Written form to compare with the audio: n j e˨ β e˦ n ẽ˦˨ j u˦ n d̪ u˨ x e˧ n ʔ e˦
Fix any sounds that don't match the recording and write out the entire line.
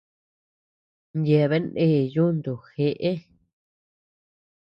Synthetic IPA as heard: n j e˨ β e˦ n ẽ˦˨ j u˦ n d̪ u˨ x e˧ ʔ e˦